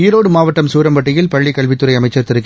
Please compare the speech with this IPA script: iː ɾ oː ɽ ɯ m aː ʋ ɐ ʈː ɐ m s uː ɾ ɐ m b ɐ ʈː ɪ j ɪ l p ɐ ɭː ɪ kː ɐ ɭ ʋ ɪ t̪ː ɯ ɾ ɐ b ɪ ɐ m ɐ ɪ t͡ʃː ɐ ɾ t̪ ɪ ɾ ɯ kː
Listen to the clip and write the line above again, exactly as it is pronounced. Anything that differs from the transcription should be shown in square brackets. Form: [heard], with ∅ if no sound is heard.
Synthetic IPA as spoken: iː ɾ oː ɽ ɯ m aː ʋ ɐ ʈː ɐ m s uː ɾ ɐ m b ɐ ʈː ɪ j ɪ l p ɐ ɭː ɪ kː ɐ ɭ ʋ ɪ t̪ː ɯ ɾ ɐ [∅] ɪ ɐ m ɐ ɪ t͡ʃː ɐ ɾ t̪ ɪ ɾ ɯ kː